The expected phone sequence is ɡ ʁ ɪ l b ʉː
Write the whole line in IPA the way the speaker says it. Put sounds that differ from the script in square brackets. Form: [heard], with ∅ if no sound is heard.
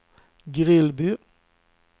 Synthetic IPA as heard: ɡ ʁ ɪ l b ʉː